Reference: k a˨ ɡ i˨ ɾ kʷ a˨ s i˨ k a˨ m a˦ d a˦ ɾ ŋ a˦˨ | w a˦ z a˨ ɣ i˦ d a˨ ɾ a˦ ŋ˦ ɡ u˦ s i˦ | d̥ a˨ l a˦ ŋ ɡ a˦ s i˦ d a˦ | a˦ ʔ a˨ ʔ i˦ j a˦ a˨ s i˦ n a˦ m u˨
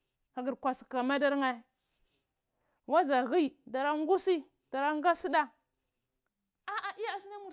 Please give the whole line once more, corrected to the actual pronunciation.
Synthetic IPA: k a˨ ɡ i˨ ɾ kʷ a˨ s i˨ k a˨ m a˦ d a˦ ɾ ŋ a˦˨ | w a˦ z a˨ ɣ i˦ d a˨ ɾ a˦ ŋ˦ ɡ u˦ s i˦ | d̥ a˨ ɾ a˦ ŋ ɡ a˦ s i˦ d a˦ | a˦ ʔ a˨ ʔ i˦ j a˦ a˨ s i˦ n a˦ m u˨